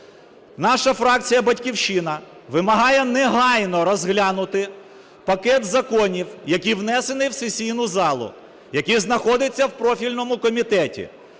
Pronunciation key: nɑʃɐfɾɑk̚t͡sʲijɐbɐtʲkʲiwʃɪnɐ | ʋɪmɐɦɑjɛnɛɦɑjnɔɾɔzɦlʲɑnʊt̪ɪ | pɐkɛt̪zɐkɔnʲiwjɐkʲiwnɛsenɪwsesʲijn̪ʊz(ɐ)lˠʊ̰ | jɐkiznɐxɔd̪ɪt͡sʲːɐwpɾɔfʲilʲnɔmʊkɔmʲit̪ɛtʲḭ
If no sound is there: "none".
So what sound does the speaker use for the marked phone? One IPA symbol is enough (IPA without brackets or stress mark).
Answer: ɑ